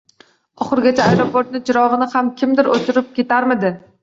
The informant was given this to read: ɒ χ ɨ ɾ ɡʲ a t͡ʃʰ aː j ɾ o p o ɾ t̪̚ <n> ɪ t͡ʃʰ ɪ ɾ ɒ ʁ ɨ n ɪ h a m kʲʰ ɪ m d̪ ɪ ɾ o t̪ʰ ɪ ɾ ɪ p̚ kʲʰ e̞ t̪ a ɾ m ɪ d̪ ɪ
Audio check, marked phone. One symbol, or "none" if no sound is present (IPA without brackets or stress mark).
n